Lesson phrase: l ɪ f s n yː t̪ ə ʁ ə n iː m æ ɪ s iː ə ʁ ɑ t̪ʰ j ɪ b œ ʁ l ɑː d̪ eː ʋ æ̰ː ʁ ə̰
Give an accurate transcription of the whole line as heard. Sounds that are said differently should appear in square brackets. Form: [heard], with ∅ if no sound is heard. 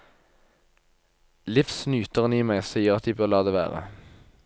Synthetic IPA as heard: l ɪ f s n yː t̪ ə ʁ ə n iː m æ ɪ s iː ə ʁ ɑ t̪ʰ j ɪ b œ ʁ l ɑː d̪ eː ʋ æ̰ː ʁ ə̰